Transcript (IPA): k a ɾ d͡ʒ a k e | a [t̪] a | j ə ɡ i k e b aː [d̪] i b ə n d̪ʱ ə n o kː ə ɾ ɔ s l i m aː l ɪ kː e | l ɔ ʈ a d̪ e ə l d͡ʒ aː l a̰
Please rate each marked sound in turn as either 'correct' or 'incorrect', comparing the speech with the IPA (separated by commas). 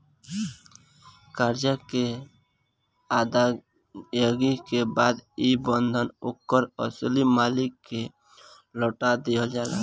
incorrect, correct